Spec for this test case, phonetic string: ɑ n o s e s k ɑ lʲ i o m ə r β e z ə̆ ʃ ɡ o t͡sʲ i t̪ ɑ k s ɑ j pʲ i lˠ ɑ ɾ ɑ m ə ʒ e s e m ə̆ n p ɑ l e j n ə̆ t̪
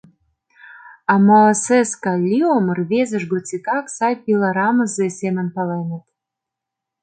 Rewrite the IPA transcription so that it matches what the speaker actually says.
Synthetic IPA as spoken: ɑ m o s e s k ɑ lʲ i o m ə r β e z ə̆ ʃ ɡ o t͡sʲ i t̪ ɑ k s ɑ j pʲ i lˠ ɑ ɾ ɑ m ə z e s e m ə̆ n p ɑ l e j n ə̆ t̪